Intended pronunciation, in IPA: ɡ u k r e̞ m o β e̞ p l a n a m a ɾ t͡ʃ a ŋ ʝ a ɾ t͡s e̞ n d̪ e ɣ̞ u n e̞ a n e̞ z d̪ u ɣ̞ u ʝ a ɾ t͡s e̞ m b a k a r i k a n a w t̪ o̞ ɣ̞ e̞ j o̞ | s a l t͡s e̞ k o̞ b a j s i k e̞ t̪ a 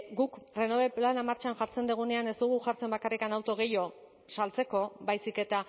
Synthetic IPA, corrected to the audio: ɡ u k r e̞ n o β e̞ p l a n a m a ɾ t͡ʃ a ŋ ʝ a ɾ t͡s e̞ n d̪ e ɣ̞ u n e̞ a n e̞ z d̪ u ɣ̞ u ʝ a ɾ t͡s e̞ m b a k a r i k a n a w t̪ o̞ ɣ̞ e̞ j o̞ | s a l t͡s e̞ k o̞ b a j s i k e̞ t̪ a